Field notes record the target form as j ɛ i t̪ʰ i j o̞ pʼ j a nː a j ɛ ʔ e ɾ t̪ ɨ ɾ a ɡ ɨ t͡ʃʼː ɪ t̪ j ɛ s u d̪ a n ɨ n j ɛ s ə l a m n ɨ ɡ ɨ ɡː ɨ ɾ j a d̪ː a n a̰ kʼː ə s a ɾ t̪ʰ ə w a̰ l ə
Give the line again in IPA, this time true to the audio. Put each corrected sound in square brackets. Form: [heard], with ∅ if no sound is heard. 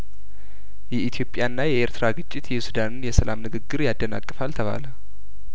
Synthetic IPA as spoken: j ɛ i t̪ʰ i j o̞ pʼ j a nː a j ɛ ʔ e ɾ t̪ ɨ ɾ a ɡ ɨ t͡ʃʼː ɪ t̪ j ɛ s u d̪ a n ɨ n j ɛ s ə l a m n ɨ ɡ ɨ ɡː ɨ ɾ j a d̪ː [ə] n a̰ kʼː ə [f] a [l] t̪ʰ ə [β] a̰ l ə

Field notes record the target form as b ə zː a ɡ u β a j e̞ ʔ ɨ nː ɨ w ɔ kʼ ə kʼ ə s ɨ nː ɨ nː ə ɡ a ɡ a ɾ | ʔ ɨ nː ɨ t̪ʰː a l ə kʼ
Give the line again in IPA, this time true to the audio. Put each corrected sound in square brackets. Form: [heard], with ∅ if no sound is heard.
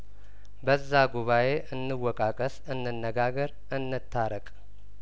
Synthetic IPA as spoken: b ə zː a ɡ u β a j e̞ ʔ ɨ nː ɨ w ɔ kʼ [a] kʼ ə s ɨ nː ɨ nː ə ɡ a ɡ [ə] ɾ | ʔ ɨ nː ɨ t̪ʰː a [ɾ] ə kʼ

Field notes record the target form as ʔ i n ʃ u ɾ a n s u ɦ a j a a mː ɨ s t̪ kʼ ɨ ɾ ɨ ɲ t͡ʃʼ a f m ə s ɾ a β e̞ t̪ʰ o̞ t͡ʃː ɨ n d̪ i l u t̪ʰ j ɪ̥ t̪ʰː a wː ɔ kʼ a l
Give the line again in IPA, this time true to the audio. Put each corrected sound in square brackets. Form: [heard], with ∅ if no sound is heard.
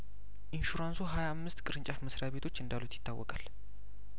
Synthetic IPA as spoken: ʔ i n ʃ u ɾ a n s u ɦ a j a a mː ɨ s t̪ kʼ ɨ ɾ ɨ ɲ t͡ʃʼ a f m ə s ɾ a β e̞ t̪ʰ o̞ t͡ʃː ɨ n d̪ [a] l u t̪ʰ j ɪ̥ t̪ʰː a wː ɔ kʼ a l

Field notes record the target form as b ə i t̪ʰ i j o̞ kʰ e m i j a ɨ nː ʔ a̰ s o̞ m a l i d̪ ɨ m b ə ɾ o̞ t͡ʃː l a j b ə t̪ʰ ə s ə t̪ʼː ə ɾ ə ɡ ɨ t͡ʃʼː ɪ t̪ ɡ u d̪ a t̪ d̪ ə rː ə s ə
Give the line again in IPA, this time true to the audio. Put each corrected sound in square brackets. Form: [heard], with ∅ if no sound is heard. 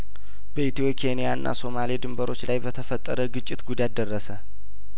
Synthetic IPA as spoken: b ə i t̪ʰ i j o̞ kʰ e [n] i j a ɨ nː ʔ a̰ s o̞ m a l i d̪ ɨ m b ə ɾ o̞ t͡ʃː l a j b ə t̪ʰ ə [f] ə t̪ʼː ə ɾ ə ɡ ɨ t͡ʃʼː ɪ t̪ ɡ u d̪ a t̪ d̪ ə rː ə s ə

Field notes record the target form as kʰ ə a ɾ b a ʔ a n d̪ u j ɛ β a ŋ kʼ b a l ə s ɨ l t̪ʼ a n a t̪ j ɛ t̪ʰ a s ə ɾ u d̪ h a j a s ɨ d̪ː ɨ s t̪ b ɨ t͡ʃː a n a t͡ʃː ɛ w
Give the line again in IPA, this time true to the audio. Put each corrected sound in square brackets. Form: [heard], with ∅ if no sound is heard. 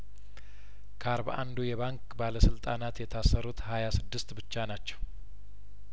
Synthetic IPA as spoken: kʰ ə a ɾ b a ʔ a n d̪ u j ɛ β a ŋ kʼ b a l ə s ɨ l t̪ʼ a n a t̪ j ɛ t̪ʰ a s ə ɾ u [t̪] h a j a s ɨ d̪ː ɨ s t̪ b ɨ t͡ʃː a n a t͡ʃː ɛ w

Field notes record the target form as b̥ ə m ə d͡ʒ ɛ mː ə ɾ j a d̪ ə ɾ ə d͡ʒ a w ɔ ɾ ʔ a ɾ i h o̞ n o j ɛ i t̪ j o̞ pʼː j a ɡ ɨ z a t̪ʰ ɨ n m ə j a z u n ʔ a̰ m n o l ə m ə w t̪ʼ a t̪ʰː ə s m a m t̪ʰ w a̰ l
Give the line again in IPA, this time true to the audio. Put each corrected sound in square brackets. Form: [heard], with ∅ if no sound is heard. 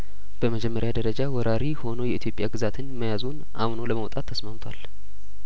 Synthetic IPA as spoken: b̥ ə m ə d͡ʒ ɛ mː ə ɾ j a d̪ ə ɾ ə d͡ʒ a w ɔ ɾ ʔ a ɾ i h o̞ n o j ɛ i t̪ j o̞ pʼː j a ɡ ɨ z a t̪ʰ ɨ n m ə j a z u n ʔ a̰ m n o l ə m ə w t̪ʼ a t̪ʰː ə s m a m t̪ʰ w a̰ l

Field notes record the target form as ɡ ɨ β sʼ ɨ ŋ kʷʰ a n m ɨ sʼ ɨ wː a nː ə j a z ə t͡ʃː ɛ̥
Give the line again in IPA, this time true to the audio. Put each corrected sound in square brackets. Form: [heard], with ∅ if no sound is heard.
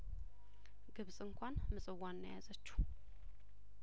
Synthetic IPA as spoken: ɡ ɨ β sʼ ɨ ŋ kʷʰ a n m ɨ sʼ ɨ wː a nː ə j a z ə t͡ʃː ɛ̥

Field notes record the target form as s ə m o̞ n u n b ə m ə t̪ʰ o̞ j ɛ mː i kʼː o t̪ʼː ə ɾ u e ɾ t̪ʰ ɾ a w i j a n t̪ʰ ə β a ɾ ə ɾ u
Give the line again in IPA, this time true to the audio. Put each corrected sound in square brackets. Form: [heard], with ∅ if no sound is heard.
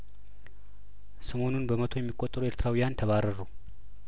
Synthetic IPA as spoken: s ə m o̞ n u n b ə m ə t̪ʰ o̞ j ɛ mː i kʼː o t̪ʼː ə ɾ u e ɾ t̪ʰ ɾ a w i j a n t̪ʰ ə β a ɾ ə ɾ u

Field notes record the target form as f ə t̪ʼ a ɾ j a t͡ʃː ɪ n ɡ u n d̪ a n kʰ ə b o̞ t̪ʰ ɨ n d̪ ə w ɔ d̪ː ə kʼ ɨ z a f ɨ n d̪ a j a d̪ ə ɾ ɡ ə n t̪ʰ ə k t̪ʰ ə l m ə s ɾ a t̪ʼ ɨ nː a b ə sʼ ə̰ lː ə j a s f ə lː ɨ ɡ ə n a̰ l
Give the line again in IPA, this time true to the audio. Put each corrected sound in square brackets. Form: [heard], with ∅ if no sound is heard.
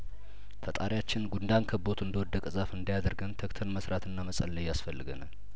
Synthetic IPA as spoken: f ə t̪ʼ a ɾ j a t͡ʃː ɪ n ɡ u n d̪ a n kʰ ə b o̞ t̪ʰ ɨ n d̪ ə w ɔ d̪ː ə kʼ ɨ z a f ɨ n d̪ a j a d̪ ə ɾ ɡ ə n t̪ʰ ə k t̪ʰ ə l m ə s ɾ a [t̪] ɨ nː a [m] ə sʼ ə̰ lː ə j a s f ə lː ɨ ɡ ə n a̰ l

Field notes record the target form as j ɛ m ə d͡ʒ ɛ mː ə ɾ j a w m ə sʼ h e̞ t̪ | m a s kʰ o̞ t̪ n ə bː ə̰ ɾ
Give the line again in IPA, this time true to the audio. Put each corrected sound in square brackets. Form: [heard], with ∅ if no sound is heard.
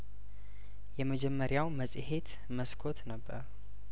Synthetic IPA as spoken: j ɛ m ə d͡ʒ ɛ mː ə ɾ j a w m ə sʼ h e̞ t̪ | m [ə] s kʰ o̞ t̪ n ə bː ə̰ ɾ

